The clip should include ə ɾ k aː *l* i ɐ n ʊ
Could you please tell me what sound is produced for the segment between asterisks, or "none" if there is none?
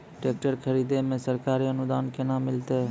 ɾ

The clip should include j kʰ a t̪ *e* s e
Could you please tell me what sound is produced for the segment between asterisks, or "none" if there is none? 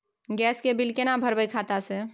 a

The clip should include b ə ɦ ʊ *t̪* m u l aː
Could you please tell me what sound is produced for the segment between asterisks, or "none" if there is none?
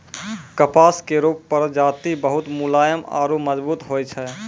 t̪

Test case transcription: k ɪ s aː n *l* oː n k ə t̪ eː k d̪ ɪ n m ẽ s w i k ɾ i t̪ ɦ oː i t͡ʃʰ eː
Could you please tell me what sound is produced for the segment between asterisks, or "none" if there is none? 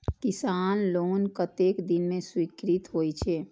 l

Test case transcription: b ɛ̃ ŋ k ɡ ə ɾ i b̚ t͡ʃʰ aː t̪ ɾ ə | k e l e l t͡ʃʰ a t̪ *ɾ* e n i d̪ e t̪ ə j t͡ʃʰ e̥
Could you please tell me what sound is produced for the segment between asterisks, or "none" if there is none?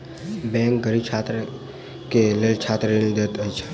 ɾ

